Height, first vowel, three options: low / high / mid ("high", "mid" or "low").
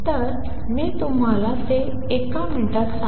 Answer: mid